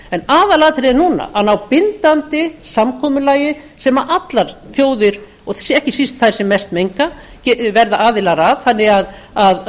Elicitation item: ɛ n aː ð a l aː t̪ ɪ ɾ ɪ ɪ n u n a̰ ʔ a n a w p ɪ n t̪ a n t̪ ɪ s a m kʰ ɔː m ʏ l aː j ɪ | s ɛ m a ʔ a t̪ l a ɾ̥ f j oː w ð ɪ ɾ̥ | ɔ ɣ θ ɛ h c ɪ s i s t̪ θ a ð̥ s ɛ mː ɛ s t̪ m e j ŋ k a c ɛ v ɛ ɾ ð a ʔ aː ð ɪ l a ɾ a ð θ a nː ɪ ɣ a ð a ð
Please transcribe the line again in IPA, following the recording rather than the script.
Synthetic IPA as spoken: ɛ n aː ð a l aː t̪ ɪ ɾ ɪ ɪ n u n a̰ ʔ a n a w p ɪ n t̪ a n t̪ ɪ s a m kʰ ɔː m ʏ l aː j ɪ | s ɛ m a ʔ a t̪ l a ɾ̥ θ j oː w ð ɪ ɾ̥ | ɔ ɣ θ ɛ h c ɪ s i s t̪ θ a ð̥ s ɛ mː ɛ s t̪ m e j ŋ k a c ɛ v ɛ ɾ ð a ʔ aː ð ɪ l a ɾ a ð θ a nː ɪ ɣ a ð a ð